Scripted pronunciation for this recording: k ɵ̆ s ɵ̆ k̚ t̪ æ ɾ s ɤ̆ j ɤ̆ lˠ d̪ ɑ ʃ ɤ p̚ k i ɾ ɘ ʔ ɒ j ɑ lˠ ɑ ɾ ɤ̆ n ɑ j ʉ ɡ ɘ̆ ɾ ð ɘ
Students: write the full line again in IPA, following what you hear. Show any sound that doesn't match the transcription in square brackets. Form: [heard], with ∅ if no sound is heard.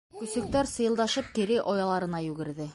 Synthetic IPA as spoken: k ɵ̆ s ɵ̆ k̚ t̪ æ ɾ s ɤ̆ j ɤ̆ lˠ d̪ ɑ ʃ ɤ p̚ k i ɾ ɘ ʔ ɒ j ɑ lˠ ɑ ɾ ɤ̆ n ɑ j ʉ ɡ ɘ̆ ɾ ð ɘ